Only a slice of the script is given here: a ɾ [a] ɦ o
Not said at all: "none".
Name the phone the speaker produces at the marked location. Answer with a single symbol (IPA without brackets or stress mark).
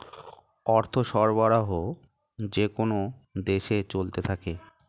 a